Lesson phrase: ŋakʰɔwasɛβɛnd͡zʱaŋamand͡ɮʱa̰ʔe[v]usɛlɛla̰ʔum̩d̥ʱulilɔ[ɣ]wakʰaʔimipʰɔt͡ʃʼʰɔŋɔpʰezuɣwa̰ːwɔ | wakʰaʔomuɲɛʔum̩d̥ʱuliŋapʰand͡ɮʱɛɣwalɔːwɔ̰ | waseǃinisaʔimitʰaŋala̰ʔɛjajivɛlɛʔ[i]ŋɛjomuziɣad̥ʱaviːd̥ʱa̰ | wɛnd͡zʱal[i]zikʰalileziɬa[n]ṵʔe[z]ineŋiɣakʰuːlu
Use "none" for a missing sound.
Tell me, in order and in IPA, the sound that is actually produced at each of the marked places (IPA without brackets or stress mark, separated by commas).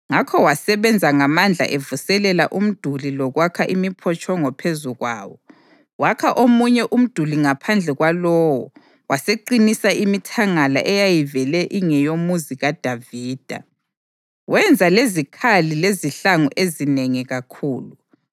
v, ɣ, i, e, ŋ, z